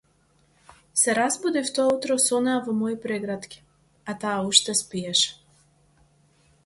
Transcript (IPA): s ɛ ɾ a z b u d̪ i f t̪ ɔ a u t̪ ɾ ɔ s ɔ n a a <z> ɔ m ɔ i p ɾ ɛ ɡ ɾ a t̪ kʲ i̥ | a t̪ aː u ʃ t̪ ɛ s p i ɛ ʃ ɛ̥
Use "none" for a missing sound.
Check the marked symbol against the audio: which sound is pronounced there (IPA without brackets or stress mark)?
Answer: v